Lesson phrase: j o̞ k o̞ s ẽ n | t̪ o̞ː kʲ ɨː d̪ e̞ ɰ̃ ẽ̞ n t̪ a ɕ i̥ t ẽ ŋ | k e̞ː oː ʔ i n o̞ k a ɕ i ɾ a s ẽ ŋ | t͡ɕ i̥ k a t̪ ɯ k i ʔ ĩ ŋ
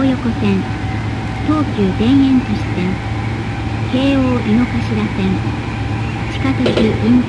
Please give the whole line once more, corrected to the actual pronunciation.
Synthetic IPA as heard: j o̞ k o̞ s ẽ n | t̪ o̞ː kʲ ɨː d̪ ẽ̞ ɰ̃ ẽ̞ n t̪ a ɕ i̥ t ẽ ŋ | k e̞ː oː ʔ i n o̞ k a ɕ i ɾ a s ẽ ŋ | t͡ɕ i̥ k a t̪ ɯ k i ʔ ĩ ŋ

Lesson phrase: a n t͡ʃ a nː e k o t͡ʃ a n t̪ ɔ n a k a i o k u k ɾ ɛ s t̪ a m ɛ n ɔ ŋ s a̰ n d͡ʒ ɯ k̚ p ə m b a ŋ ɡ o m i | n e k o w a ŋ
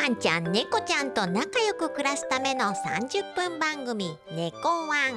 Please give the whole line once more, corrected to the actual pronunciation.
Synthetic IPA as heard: a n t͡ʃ a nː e k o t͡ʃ a n t̪ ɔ n a k a j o k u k ɾ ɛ s t̪ a m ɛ n ɔ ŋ s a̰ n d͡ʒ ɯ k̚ p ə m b a ŋ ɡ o m i | n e k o w a ŋ

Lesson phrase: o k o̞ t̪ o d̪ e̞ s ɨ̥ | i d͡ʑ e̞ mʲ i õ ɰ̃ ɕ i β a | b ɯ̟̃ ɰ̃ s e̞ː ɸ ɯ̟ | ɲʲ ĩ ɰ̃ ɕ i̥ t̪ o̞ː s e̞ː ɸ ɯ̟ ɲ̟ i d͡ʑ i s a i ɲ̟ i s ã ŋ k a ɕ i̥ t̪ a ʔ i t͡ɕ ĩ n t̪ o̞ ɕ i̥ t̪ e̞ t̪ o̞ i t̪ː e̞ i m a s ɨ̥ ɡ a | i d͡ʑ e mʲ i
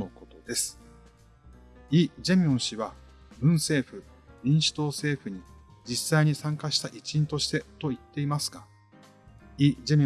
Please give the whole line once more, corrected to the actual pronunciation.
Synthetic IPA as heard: o k o̞ t̪ o d̪ e̞ s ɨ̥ | i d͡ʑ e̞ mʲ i õ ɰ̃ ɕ i β a | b ɯ̟̃ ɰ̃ s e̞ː ɸ ɯ̟ | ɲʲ ĩ ɰ̃ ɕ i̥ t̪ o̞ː s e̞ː ɸ ɯ̟ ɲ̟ i d͡ʑ i s a i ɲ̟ i s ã ŋ k a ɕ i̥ t̪ a ʔ i t͡ɕ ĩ n t̪ o̞ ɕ i̥ t̪ e̞ t̪ o̞ i t̪ː e̞ i m a s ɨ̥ ɡ a | i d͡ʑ e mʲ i

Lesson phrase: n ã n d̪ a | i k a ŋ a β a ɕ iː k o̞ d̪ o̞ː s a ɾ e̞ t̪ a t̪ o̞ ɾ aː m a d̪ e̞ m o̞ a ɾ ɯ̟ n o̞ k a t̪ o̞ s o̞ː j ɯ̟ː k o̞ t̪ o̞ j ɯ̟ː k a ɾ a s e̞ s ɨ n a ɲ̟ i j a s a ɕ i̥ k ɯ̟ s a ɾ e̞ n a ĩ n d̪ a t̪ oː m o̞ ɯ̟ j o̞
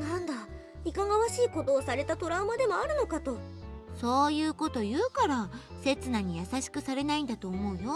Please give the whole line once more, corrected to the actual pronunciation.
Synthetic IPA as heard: n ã n d̪ a | i k a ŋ a β a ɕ iː k o̞ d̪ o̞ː s a ɾ e̞ t̪ a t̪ o̞ ɾ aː m a d̪ e̞ m o̞ a ɾ ɯ̟ n o̞ k a t̪ o̞ s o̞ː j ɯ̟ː k o̞ t̪ o̞ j ɯ̟ː k a ɾ a s e̞ t͡s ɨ n a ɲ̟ i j a s a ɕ i̥ k ɯ̟ s a ɾ e̞ n a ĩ n d̪ a t̪ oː m o̞ ɯ̟ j o̞

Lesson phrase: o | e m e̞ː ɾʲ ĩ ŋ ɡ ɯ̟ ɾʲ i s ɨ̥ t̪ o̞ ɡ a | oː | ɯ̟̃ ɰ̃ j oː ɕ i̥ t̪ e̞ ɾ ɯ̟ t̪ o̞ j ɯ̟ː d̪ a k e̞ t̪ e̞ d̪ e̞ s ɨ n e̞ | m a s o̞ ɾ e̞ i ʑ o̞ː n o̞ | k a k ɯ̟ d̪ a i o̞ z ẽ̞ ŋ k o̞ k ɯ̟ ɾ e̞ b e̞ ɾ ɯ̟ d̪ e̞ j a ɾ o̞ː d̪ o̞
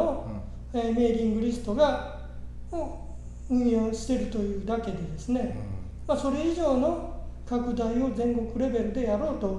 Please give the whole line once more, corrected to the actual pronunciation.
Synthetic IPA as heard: o | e m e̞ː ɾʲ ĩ ŋ ɡ ɯ̟ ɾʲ i s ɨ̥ t̪ o̞ ɡ a | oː | ɯ̟̃ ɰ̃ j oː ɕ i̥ t̪ e̞ ɾ ɯ̟ t̪ o̞ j ɯ̟ː d̪ a k e̞ d̪ e̞ d̪ e̞ s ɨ n e̞ | m a s o̞ ɾ e̞ i ʑ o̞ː n o̞ | k a k ɯ̟ d̪ a i o̞ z ẽ̞ ŋ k o̞ k ɯ̟ ɾ e̞ b e̞ ɾ ɯ̟ d̪ e̞ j a ɾ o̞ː t̪ o̞

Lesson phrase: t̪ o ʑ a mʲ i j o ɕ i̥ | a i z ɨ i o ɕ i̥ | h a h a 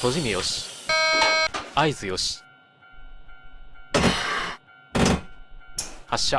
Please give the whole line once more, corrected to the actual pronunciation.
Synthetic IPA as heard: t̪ o ʑ i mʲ i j o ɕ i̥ | a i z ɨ j o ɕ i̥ | h a ɕ a

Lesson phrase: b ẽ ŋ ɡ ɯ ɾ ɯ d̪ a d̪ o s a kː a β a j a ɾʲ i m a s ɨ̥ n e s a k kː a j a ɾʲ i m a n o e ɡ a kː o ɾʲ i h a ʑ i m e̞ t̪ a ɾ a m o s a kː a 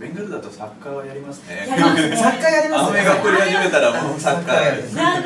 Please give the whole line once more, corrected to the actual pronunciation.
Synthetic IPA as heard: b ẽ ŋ ɡ ɯ ɾ ɯ d̪ a t̪ o s a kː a β a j a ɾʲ i m a s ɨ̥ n e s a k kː a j a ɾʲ i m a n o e ɡ a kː o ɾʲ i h a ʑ i m e̞ t̪ a ɾ a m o s a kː a

